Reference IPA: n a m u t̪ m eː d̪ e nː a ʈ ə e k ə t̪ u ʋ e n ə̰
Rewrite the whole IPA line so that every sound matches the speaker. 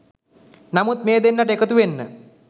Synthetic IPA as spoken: n a m u t̪ m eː d̪ e nː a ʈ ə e k ə t̪ u ʋ e nː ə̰